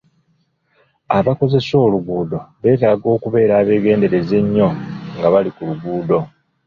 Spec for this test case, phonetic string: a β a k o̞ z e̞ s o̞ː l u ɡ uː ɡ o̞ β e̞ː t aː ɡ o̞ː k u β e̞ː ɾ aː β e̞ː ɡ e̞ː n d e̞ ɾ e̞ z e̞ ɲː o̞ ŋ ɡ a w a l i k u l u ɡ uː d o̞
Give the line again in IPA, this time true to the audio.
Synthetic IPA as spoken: a β a k o̞ z e̞ s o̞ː l u ɡ uː d o̞ β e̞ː t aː ɡ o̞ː k u β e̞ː ɾ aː β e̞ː ɡ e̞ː n d e̞ ɾ e̞ z e̞ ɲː o̞ ŋ ɡ a β a l i k u l u ɡ uː d o̞